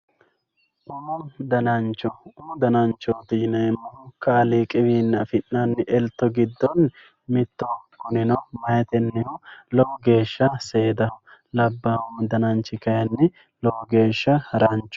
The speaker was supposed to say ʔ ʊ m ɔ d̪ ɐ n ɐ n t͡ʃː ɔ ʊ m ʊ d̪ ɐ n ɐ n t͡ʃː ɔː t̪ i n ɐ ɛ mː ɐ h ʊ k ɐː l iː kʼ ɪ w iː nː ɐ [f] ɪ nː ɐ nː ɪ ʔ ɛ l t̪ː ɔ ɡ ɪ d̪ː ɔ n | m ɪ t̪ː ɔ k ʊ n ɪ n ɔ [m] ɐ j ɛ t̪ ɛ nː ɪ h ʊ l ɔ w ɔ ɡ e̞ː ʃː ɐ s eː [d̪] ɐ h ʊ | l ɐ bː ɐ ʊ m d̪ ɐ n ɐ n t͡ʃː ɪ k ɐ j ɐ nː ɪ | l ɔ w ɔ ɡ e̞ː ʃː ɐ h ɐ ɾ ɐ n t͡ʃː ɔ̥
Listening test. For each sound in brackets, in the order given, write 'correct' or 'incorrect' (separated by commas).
correct, correct, correct